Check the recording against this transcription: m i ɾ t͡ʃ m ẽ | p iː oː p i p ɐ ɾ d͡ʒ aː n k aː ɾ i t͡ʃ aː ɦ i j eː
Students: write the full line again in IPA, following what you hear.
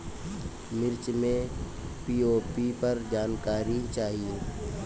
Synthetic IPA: m ɪ ɾ t͡ʃ m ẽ | p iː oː p i p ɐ ɾ d͡ʒ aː n k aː ɾ i t͡ʃ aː ɦ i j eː

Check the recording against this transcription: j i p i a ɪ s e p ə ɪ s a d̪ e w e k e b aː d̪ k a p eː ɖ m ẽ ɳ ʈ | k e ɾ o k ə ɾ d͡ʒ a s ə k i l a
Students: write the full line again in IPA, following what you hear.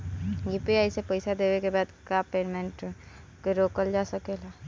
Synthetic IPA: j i p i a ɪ s e p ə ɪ s a d̪ e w e k e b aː d̪ k a p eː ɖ m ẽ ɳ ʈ | k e ɾ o k ə l d͡ʒ a s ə k e l a

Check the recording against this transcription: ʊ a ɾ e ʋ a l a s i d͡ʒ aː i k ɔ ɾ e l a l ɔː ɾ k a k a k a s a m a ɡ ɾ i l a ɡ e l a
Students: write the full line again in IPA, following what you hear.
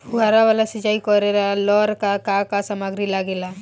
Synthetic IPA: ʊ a ɾ a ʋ a l a s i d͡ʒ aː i k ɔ ɾ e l a l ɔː ɾ k a k a k a s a m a ɡ ɾ i l a ɡ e l a

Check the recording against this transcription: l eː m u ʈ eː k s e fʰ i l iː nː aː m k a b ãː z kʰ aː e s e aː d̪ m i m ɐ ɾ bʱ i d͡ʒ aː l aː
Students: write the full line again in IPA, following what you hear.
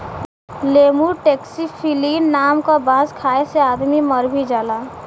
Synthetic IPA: l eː m u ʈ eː k s i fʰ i l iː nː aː m k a b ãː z kʰ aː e s e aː d̪ m i m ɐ ɾ bʱ i d͡ʒ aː l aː

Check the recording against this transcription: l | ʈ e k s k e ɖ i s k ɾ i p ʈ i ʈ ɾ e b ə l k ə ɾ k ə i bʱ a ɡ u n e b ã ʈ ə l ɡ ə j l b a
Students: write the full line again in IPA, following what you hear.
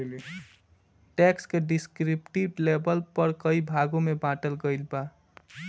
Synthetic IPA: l | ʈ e k s k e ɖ i s k ɾ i p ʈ i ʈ l e b ə l p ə ɾ k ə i bʱ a ɡ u m e b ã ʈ ə l ɡ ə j l b a

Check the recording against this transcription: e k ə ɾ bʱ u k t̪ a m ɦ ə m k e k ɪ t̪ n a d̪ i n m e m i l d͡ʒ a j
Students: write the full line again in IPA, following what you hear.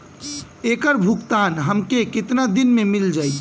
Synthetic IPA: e k ə ɾ bʱ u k t̪ a n ɦ ə m k e k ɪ t̪ n a d̪ i n m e m i l d͡ʒ a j

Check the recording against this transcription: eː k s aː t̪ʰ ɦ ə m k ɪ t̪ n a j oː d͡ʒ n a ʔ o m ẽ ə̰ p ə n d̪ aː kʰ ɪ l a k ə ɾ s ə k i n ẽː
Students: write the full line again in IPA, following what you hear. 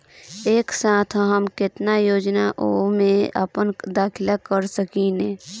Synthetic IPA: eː k s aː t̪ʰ ɦ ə m k ɪ t̪ n a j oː d͡ʒ n a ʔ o m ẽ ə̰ p ə n d̪ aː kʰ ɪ l a k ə ɾ s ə k i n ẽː

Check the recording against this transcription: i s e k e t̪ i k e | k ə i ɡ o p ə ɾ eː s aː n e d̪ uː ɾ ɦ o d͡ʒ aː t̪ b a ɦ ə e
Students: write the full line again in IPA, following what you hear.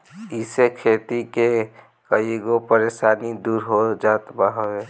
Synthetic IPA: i s e kʰ e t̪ i k e | k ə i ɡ o p ə ɾ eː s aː n i d̪ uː ɾ ɦ o d͡ʒ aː t̪ b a ɦ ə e

